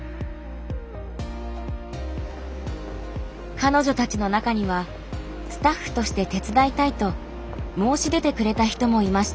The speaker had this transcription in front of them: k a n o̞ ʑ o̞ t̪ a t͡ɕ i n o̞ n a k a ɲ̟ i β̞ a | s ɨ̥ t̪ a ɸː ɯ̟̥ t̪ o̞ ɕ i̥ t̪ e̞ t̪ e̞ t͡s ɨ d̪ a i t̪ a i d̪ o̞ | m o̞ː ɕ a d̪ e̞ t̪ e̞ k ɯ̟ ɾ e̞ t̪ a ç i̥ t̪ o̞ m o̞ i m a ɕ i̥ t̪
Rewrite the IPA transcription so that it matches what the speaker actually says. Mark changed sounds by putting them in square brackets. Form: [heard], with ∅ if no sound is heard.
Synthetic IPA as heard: k a n o̞ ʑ o̞ t̪ a t͡ɕ i n o̞ n a k a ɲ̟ i β̞ a | s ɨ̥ t̪ a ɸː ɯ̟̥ t̪ o̞ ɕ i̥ t̪ e̞ t̪ e̞ t͡s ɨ d̪ a i t̪ a i [t̪] o̞ | m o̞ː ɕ [i] d̪ e̞ t̪ e̞ k ɯ̟ ɾ e̞ t̪ a ç i̥ t̪ o̞ m o̞ i m a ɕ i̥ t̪